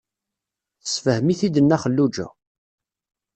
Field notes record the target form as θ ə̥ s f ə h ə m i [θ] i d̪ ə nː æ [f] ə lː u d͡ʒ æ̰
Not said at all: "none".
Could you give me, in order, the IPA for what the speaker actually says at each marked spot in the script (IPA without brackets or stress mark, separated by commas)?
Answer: θ, χ